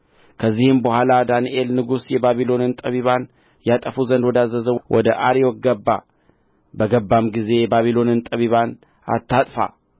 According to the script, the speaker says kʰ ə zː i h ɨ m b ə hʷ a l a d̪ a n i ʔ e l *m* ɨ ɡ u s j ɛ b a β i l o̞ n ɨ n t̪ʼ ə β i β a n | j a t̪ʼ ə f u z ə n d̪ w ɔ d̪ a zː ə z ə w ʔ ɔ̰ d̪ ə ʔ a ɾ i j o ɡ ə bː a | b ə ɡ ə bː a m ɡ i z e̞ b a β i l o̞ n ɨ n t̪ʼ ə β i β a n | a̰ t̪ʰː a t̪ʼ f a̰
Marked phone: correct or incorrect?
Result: incorrect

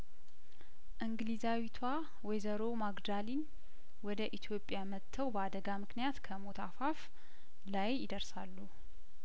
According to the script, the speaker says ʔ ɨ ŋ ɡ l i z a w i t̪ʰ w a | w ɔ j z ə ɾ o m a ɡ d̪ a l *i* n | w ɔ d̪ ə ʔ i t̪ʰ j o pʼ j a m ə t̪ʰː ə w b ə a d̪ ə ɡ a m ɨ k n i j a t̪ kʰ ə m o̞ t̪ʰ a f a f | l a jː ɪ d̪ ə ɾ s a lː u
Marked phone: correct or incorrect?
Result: correct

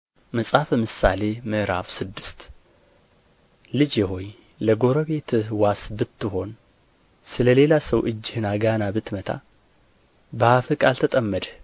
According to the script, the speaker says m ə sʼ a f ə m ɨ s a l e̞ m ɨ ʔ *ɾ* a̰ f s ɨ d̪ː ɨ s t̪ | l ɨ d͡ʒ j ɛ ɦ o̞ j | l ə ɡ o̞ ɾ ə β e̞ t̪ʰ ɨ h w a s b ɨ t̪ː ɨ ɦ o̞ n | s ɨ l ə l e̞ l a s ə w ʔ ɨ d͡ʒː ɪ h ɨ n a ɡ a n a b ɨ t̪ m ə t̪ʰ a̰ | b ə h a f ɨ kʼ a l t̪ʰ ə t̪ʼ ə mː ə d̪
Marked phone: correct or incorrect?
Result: correct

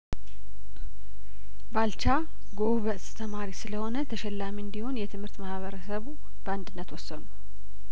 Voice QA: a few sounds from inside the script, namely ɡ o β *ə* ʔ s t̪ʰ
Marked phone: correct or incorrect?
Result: correct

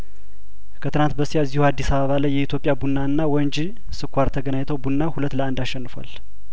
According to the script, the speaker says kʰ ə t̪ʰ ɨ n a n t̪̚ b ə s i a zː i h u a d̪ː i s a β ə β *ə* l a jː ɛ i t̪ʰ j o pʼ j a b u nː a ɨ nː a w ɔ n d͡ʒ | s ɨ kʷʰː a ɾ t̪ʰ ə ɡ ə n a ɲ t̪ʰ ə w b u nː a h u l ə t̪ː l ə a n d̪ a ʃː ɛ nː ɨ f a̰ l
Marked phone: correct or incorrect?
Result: incorrect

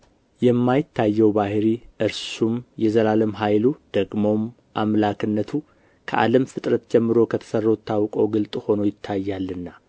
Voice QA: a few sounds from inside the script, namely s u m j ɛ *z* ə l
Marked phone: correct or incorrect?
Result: correct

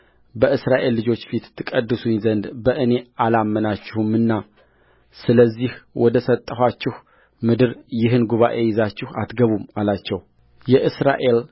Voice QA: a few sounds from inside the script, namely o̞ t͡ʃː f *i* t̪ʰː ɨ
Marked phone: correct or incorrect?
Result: correct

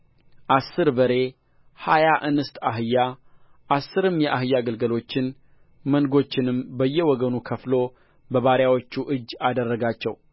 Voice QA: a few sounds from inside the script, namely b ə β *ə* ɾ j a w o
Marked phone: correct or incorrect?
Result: incorrect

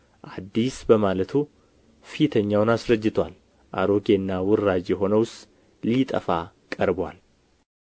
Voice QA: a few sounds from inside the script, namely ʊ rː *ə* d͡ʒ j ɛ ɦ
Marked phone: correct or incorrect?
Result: incorrect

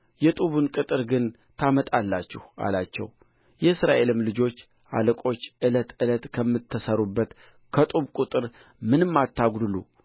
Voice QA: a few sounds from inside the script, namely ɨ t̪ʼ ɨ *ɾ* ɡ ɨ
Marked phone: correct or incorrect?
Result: correct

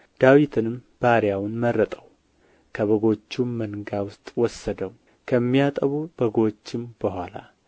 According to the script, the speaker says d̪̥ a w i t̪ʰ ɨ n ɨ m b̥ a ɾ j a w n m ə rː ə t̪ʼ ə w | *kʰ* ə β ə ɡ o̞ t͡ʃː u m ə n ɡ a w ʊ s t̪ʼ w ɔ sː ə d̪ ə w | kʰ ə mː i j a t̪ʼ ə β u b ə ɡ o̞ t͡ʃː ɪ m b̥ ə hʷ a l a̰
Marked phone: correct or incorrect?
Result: correct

